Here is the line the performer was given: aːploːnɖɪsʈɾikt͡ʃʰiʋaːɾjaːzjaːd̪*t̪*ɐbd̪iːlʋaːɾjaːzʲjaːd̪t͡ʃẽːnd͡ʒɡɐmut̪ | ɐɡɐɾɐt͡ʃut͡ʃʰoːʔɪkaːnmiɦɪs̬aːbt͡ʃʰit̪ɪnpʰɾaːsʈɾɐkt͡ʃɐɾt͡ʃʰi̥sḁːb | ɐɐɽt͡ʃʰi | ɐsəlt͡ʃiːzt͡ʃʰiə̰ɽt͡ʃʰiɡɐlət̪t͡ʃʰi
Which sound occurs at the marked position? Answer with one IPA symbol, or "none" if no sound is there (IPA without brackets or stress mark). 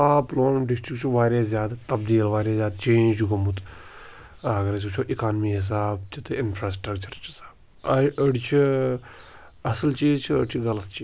t̪